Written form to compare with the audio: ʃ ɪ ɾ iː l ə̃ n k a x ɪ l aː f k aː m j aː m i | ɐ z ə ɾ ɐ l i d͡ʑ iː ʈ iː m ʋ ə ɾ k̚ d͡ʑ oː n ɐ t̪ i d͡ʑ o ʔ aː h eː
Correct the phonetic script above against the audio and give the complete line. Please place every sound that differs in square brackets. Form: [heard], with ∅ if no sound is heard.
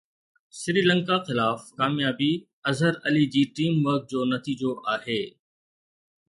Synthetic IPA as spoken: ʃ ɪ ɾ iː l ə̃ [ŋ] k a x ɪ l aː f k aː m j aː [b] i | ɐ z ə ɾ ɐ l i d͡ʑ iː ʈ iː m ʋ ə ɾ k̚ d͡ʑ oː n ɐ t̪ [iː] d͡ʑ o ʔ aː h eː